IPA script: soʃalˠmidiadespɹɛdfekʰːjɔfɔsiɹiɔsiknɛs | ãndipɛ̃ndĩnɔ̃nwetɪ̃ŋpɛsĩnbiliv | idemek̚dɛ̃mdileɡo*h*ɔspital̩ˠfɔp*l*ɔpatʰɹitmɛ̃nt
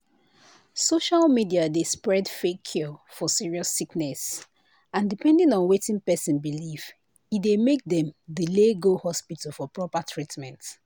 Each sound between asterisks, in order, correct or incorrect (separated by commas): correct, incorrect